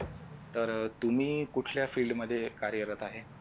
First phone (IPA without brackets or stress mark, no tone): t̪